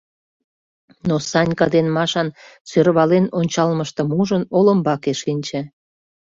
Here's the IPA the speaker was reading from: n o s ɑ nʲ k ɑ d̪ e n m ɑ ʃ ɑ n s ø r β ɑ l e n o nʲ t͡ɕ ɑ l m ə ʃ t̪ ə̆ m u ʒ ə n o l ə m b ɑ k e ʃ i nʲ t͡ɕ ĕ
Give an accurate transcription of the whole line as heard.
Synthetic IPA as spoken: n o s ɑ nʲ k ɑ d̪ e n m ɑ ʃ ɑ n s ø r β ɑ l e n o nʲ t͡ɕ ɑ l m ə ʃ t̪ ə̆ m u ʒ ə n o l ə m b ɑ k e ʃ i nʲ t͡ɕ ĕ